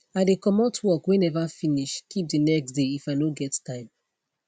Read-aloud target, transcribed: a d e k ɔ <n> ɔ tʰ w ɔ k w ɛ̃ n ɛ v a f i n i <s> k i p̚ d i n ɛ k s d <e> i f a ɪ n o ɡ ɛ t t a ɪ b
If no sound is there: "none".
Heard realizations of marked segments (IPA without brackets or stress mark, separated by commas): m, ʃ, e